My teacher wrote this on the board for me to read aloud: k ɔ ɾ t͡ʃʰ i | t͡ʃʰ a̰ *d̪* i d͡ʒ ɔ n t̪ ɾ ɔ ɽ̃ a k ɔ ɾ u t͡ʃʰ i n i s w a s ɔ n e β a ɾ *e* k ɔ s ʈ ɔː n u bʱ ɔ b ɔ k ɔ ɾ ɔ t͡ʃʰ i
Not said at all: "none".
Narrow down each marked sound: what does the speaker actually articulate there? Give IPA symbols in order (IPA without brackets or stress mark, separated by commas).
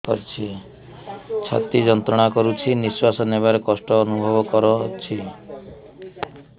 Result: t̪, e